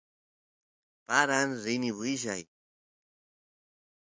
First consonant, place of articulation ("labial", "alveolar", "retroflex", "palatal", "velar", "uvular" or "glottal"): labial